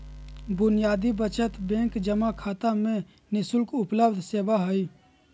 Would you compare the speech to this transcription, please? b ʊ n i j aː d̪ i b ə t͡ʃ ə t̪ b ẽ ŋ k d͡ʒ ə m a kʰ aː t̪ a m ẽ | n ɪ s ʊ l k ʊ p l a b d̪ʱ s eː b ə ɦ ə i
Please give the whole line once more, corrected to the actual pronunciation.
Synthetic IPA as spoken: b ʊ n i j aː d̪ i b ə t͡ʃ ə t̪ b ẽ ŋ k d͡ʒ ə m a kʰ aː t̪ a m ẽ | n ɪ s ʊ l k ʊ p l ə b d̪ʱ s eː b a ɦ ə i